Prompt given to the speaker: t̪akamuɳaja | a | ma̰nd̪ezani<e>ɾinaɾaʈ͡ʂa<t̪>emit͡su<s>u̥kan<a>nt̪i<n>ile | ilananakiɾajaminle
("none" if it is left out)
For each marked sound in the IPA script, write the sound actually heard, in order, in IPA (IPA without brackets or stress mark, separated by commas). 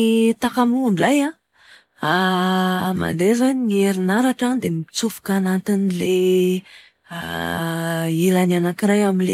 e, d̪, f, a, n